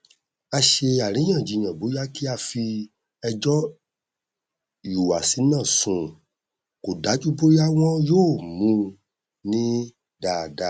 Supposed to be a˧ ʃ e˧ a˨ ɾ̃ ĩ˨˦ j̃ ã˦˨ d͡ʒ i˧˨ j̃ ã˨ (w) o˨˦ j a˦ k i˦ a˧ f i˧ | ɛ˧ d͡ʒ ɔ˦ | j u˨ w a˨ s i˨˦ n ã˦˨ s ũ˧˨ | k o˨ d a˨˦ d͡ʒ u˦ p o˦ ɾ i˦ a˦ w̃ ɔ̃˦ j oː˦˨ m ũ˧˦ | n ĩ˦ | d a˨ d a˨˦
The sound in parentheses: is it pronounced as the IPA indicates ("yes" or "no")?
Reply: no